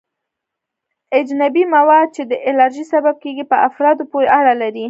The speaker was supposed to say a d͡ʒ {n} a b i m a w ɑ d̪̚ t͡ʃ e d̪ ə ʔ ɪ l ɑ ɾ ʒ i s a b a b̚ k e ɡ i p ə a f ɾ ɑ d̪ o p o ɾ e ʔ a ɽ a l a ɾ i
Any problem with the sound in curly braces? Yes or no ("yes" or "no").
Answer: no